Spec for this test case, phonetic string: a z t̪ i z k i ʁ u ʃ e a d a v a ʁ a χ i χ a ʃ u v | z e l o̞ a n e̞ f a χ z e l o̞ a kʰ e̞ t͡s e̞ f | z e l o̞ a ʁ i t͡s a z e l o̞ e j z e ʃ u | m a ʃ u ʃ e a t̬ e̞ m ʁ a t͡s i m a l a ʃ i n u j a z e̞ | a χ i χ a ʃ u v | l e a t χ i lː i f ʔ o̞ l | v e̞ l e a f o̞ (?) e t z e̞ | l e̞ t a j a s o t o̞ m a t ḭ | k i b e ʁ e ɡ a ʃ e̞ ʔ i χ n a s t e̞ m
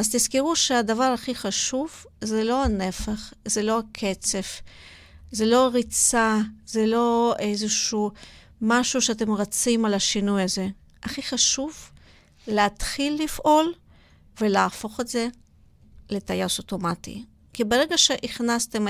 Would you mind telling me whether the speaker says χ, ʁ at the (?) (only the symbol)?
χ